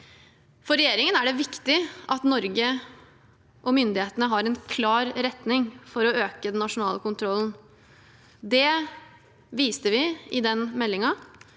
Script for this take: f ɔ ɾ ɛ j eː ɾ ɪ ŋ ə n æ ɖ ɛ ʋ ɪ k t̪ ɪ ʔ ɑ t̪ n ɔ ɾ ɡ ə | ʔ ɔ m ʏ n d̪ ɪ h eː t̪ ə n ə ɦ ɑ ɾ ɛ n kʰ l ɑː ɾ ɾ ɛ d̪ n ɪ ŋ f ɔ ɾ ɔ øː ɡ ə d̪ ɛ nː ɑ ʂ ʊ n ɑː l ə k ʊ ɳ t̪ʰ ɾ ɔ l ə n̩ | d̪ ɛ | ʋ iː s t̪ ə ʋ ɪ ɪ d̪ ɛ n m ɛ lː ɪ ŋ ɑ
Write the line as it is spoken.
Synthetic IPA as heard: f ɔ ɾ ɛ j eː ɾ ɪ ŋ ə n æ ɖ ɛ ʋ ɪ k t̪ ɪ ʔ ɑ t̪ n ɔ ɾ ɡ ə | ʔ ɔ m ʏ n d̪ ɪ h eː t̪ ə n ə ɦ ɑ ɾ ɛ n kʰ l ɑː ɾ ɾ ɛ t̪ n ɪ ŋ f ɔ ɾ ɔ øː k ə d̪ ɛ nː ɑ ʂ ʊ n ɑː l ə k ʊ n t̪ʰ ɾ ɔ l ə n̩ | d̪ ɛ | ʋ iː s t̪ ə ʋ ɪ ɪ d̪ ɛ n m ɛ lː ɪ ŋ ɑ